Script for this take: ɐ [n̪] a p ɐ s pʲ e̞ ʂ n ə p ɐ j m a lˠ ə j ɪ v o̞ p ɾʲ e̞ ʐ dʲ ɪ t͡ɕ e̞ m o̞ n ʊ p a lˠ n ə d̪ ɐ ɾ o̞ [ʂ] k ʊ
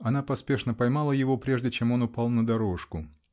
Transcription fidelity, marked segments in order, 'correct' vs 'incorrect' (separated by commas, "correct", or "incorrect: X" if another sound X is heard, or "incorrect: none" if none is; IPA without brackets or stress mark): correct, correct